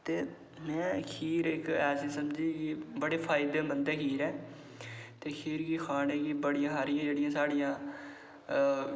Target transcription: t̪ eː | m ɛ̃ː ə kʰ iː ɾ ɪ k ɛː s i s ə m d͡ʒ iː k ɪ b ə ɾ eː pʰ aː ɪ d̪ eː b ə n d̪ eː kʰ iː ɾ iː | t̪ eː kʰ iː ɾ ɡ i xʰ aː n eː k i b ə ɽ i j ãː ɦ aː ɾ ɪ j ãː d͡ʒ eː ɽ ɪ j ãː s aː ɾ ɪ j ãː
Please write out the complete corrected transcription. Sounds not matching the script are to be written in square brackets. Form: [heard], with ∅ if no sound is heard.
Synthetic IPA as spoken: t̪ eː | m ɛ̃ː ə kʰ iː ɾ ɪ k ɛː s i s ə m d͡ʒ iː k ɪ b ə [ɽ] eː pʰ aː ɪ d̪ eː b ə n d̪ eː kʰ iː ɾ [ɛː] | t̪ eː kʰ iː ɾ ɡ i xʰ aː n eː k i b ə ɽ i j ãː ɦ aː ɾ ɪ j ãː d͡ʒ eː ɽ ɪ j ãː s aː [ɽ] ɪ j ãː